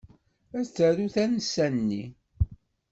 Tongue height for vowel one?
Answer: low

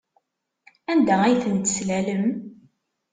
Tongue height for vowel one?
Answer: low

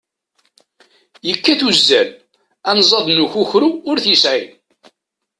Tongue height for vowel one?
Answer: mid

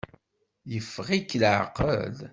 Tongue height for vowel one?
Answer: mid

